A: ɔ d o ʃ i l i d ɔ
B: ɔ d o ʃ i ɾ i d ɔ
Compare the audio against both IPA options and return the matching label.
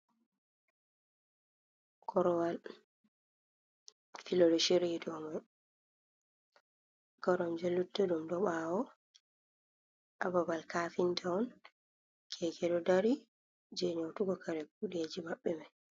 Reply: B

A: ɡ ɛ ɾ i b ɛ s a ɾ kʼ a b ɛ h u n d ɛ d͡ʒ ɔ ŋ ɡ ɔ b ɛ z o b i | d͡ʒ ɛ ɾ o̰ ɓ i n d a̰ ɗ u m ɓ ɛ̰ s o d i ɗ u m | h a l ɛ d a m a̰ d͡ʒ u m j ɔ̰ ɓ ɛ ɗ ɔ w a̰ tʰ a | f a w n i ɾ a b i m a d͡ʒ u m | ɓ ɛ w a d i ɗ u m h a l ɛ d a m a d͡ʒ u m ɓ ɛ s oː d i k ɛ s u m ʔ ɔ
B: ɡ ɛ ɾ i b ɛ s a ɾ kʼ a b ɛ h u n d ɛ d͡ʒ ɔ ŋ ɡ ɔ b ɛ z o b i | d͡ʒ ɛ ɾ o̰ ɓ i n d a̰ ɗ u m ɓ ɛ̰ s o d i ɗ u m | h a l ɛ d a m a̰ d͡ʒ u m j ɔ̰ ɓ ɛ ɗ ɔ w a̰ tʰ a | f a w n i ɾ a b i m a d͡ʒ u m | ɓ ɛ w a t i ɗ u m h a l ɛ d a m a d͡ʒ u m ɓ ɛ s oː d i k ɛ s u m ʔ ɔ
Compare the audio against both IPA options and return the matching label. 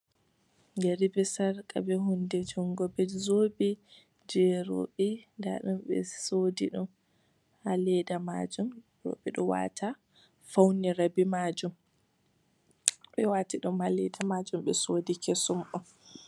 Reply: B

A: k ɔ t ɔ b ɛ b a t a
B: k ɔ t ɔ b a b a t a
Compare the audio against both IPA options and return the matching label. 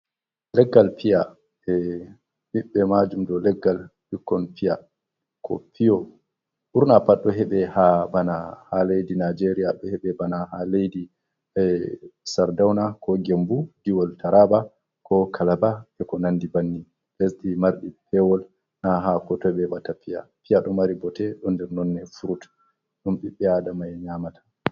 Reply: A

